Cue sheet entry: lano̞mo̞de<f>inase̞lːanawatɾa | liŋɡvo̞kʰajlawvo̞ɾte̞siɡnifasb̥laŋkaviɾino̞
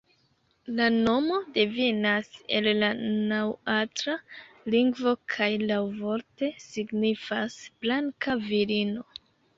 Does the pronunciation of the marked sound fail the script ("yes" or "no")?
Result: yes